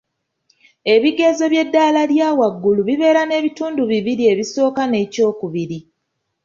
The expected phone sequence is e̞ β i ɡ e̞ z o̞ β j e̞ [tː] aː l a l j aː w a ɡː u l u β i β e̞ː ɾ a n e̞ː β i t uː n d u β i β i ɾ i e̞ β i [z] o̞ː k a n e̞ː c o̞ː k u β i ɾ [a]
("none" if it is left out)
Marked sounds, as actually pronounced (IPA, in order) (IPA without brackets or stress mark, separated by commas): dː, s, i